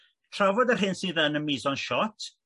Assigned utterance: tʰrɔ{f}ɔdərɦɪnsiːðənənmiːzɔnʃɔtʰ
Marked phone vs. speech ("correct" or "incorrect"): incorrect